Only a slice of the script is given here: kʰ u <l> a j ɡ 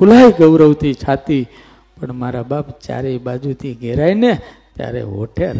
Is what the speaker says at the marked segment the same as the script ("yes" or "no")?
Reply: yes